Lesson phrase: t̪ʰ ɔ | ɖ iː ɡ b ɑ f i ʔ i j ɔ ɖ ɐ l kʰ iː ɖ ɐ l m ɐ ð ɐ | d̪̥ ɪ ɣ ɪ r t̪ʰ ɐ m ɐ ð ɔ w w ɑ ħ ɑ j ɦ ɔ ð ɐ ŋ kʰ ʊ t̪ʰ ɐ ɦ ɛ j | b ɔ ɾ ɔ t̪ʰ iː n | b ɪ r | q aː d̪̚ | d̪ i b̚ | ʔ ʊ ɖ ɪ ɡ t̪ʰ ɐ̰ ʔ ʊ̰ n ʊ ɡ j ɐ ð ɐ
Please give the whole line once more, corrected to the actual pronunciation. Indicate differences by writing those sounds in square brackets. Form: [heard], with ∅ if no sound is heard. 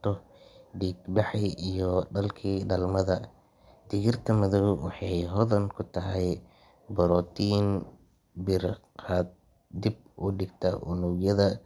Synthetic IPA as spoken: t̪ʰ ɔ | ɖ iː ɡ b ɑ [ħ] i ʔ i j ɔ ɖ ɐ l kʰ iː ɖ ɐ l m ɐ ð ɐ | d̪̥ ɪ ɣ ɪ r t̪ʰ ɐ m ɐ ð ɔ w w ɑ ħ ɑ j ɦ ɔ ð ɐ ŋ kʰ ʊ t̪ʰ ɐ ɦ ɛ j | b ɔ ɾ ɔ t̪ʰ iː n | b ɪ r | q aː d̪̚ | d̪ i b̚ | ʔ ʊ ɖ ɪ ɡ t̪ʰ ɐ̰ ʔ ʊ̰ n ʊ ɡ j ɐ ð ɐ